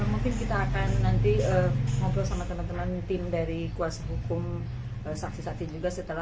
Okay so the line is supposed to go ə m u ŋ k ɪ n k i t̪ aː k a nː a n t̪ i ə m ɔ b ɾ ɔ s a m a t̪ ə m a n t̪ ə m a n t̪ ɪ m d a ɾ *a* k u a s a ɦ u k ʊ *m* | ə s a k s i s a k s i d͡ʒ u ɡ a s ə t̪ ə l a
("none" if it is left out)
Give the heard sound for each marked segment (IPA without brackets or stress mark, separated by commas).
i, m